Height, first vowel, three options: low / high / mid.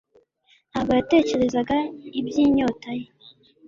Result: low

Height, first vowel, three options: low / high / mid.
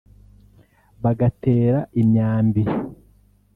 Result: low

